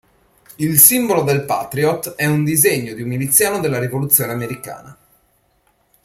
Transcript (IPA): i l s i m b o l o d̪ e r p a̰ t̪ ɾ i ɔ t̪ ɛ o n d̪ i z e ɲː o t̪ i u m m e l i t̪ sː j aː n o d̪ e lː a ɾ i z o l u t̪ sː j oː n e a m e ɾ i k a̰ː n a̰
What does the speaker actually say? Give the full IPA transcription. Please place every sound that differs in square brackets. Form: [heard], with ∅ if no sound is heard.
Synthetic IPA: i l s i m b o l o d̪ e [l] p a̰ t̪ ɾ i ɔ t̪ ɛ [u] n d̪ i z e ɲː o [d̪] i u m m [i] l i t̪ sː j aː n o d̪ e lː a ɾ i [v] o l u t̪ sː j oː n e a m e ɾ i k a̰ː n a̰